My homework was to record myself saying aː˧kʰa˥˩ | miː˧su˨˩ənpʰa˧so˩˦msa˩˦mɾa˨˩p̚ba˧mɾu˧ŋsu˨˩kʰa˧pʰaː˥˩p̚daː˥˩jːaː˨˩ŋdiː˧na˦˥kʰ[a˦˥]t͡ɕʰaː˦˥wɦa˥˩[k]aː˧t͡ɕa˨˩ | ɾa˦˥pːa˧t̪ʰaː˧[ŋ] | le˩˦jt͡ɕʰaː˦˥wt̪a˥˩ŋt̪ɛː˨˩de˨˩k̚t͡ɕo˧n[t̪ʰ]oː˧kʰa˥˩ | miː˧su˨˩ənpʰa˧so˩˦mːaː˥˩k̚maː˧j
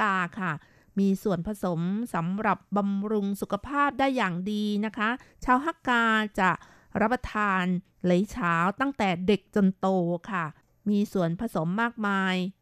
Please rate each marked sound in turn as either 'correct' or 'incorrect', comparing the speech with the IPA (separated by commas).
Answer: correct, correct, incorrect, incorrect